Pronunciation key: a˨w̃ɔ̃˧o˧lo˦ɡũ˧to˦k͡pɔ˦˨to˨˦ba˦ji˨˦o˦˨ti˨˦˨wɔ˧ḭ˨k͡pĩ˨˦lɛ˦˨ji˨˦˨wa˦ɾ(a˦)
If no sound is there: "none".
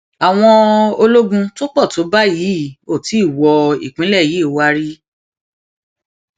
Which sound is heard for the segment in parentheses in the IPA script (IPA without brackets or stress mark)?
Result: i˦